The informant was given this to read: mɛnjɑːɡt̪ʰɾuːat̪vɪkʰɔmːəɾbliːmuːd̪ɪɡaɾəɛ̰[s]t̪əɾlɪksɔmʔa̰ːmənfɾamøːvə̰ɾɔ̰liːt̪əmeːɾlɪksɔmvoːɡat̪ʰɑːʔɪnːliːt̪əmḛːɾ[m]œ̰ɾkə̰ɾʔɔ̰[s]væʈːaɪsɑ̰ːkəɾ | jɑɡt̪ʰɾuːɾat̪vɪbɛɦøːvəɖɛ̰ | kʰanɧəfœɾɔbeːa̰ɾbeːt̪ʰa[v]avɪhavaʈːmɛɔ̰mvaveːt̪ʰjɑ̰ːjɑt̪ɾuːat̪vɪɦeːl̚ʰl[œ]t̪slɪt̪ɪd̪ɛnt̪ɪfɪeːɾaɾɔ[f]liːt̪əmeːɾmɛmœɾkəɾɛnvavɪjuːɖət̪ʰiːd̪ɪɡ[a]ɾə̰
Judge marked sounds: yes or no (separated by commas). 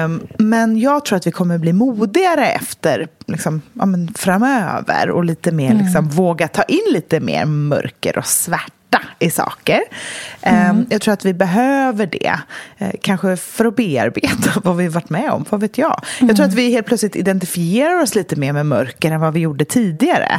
no, yes, yes, yes, yes, no, yes